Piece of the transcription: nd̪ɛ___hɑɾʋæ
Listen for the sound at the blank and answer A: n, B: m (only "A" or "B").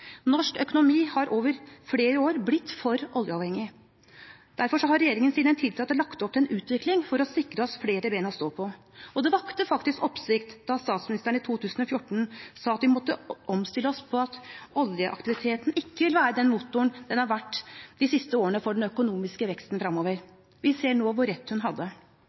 A